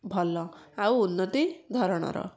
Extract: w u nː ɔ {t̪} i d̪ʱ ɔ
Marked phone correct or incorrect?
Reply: correct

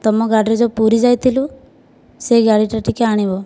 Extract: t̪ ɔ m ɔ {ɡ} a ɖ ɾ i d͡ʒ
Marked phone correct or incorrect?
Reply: correct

